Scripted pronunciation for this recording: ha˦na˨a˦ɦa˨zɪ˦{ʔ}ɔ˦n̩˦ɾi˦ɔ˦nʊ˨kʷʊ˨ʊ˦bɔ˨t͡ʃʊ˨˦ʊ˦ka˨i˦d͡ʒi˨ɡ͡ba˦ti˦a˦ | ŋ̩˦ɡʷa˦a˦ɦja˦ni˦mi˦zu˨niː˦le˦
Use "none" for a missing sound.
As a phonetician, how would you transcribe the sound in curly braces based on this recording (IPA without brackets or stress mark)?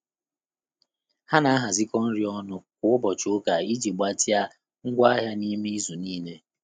k